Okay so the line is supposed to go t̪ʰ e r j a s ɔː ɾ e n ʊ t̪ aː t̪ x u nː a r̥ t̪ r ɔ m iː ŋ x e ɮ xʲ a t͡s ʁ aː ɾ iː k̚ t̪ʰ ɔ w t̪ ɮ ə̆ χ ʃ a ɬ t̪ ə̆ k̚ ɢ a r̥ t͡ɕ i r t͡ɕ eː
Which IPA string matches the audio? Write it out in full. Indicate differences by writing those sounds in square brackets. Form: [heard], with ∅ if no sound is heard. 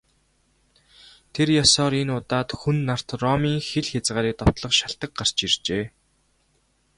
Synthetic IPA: t̪ʰ e r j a s ɔː ɾ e n ʊ t̪ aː t̪ x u nː a r̥ t̪ r ɔ m iː ŋ x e ɮ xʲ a t͡s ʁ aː ɾ iː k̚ [t̪] ɔ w t̪ ɮ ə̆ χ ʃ a ɬ t̪ ə̆ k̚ ɢ a r̥ t͡ɕ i r t͡ɕ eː